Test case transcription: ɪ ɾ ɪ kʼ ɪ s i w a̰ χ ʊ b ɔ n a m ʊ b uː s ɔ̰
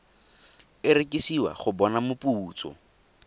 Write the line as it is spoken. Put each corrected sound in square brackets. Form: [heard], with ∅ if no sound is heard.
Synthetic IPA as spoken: ɪ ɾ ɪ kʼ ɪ s i w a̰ χ ʊ b ɔ n a m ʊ [p] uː [t͡s] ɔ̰